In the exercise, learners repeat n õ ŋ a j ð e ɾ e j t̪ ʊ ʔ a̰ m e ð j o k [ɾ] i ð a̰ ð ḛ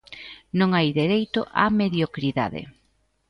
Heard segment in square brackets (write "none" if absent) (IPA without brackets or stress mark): ɾ